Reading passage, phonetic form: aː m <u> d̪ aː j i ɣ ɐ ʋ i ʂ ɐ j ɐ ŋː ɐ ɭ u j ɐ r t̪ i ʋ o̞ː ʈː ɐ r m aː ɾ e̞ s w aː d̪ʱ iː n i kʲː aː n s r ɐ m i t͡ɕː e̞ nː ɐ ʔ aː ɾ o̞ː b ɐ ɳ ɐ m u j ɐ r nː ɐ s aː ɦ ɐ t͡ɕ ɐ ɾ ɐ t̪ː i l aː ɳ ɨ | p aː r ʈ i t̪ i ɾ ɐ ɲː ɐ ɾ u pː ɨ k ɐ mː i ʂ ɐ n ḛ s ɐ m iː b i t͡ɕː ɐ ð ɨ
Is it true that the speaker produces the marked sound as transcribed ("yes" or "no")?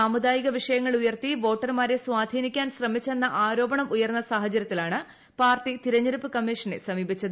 yes